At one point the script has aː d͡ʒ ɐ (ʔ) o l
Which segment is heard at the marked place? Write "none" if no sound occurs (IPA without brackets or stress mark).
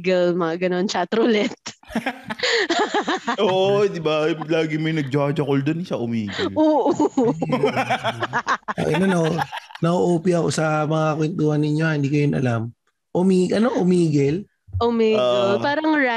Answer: k